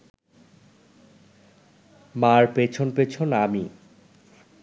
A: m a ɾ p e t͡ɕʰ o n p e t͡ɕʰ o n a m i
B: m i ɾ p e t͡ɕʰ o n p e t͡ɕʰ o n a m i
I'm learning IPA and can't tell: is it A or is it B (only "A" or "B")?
A